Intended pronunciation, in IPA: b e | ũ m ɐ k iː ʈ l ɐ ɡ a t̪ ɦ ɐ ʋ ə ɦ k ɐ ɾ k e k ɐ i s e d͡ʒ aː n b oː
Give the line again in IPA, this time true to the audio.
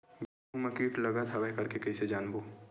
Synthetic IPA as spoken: b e | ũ m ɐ k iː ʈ l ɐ ɡ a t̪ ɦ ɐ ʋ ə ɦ k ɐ ɾ k e k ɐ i s e d͡ʒ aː n b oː